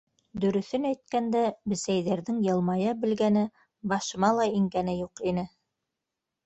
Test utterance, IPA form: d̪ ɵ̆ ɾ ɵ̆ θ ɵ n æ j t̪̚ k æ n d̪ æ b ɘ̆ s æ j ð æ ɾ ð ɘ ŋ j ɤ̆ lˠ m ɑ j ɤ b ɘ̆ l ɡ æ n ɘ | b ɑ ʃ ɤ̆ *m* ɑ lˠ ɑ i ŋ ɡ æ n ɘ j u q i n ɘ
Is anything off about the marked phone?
no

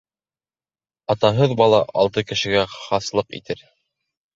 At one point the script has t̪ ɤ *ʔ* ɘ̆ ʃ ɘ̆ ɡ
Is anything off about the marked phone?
yes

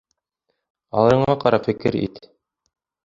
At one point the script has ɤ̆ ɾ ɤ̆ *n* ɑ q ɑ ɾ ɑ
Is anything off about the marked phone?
yes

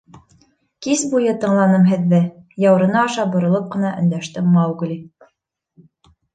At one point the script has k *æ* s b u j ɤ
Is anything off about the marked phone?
yes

